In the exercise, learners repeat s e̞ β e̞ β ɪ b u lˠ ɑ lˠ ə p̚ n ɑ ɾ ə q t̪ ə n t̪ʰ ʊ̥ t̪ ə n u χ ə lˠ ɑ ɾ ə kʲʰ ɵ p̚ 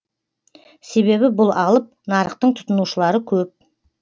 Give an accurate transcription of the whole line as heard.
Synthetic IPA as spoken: s e̞ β e̞ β ɪ b ʊ lˠ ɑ lˠ ə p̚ n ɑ ɾ ə q t̪ ə ɴ t̪ʰ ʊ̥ t̪ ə n u ʃ ə lˠ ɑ ɾ ə kʲʰ ɵ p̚